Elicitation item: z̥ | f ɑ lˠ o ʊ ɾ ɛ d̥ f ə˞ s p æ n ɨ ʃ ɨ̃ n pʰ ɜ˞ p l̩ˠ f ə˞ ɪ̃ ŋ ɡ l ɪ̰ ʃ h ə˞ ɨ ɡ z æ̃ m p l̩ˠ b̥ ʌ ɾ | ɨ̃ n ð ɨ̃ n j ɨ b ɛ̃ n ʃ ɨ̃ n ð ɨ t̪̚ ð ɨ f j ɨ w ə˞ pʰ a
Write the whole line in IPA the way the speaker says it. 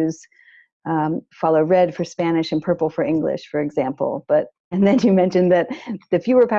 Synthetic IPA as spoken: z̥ | f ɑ lˠ o ʊ ɹ ɛ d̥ f ə˞ s p æ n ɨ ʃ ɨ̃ n pʰ ɜ˞ p l̩ˠ f ə˞ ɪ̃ ŋ ɡ l ɪ̰ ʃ f ə˞ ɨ ɡ z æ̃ m p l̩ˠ b̥ ʌ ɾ | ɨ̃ n ð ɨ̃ n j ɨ m ɛ̃ n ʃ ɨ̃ n ð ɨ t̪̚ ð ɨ f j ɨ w ə˞ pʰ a